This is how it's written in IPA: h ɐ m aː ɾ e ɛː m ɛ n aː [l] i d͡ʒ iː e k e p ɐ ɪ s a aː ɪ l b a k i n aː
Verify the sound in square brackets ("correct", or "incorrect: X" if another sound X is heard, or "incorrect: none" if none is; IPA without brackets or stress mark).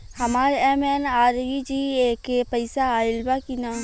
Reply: incorrect: ɾ